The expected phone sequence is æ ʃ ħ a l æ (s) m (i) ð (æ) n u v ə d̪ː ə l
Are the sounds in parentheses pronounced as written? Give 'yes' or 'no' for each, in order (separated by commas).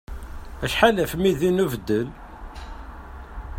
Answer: no, yes, no